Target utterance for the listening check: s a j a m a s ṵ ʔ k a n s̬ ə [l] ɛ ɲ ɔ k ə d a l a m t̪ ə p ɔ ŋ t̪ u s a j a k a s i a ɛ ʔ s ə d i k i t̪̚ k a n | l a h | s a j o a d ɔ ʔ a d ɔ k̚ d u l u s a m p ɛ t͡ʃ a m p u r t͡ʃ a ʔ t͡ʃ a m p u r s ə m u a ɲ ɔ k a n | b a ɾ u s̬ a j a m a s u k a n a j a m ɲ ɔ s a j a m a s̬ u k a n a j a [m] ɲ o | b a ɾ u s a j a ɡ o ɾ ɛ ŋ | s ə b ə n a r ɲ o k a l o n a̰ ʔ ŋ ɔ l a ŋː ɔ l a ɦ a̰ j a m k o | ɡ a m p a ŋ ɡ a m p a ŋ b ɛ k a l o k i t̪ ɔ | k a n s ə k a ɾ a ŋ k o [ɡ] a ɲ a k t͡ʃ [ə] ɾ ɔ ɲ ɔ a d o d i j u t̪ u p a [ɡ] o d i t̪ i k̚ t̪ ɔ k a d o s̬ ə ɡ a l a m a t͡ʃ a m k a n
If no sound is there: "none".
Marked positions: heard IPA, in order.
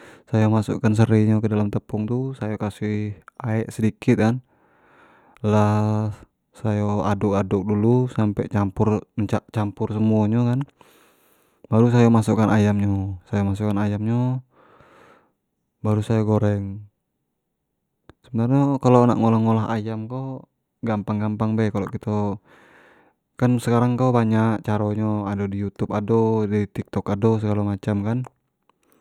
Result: ɾ, m, b, a, d

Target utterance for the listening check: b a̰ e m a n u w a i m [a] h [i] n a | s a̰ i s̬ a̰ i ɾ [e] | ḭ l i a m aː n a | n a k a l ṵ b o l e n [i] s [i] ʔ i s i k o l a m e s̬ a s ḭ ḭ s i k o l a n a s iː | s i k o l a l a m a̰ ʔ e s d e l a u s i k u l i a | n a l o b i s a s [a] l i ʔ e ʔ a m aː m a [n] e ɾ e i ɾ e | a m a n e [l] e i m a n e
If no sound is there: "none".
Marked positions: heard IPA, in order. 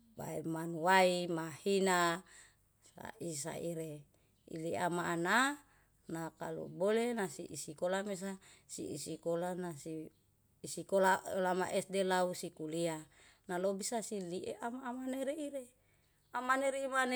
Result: a, i, e, a, i, i, n, ɾ

